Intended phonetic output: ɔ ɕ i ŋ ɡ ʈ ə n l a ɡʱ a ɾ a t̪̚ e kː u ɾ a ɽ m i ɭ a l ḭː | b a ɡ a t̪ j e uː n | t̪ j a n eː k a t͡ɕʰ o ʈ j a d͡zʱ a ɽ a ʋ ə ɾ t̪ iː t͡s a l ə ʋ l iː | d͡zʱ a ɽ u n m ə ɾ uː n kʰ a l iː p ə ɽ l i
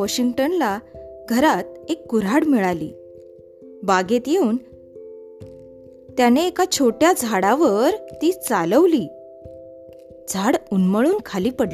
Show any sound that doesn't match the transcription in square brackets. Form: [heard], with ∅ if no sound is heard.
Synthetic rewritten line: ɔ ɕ i ŋ ɡ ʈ ə n l a ɡʱ [ə] ɾ a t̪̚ e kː u ɾ a ɽ m i ɭ a l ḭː | b a ɡ [e] t̪ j e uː n | t̪ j a n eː k a t͡ɕʰ o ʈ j a d͡zʱ a ɽ a ʋ ə ɾ t̪ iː t͡s a l ə ʋ l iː | d͡zʱ a ɽ u n m ə [ɭ] uː n kʰ a l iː p ə ɽ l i